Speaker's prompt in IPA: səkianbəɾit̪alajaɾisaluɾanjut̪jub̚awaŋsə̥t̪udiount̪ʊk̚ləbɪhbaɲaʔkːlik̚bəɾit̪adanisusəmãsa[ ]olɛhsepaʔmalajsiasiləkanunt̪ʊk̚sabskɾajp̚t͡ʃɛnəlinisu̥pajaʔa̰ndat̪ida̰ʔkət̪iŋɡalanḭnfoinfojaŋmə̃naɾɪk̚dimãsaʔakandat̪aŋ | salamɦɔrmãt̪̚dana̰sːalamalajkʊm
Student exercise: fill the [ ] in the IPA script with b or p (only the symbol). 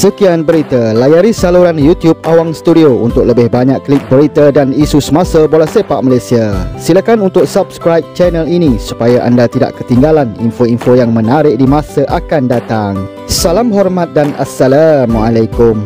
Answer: b